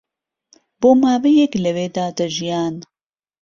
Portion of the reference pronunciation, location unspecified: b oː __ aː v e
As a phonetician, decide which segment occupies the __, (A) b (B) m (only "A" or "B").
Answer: B